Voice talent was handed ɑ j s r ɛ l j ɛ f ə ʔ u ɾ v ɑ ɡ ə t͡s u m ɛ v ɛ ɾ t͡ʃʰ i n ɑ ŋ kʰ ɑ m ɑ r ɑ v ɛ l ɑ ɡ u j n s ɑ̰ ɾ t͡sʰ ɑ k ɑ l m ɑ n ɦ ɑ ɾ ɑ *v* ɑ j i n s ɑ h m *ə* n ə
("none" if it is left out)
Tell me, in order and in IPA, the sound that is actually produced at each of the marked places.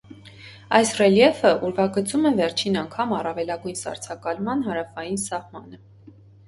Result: f, ɑ

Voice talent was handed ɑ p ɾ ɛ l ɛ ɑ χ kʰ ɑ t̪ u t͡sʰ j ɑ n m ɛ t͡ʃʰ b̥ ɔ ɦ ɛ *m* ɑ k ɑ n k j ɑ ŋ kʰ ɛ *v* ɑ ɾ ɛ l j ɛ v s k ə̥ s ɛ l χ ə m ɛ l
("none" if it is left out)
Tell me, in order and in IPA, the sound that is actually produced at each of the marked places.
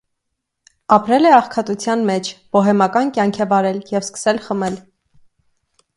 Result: m, v

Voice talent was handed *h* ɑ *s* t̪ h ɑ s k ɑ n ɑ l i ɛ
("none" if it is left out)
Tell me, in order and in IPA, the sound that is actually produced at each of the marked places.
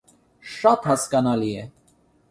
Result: ʃ, none

